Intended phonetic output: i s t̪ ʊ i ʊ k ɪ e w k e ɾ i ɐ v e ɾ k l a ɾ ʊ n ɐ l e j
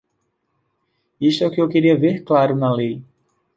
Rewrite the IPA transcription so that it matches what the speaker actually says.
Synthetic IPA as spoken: i s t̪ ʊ ɛ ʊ k ɪ e w k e ɾ i ɐ v e ɾ k l a ɾ ʊ n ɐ l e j